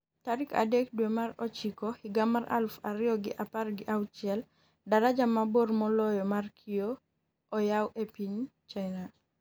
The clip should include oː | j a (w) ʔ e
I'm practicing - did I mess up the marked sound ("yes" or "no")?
no